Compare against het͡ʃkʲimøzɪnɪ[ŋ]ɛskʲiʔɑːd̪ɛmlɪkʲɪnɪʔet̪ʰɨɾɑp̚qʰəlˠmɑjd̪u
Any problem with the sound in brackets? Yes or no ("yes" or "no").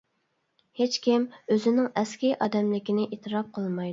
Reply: no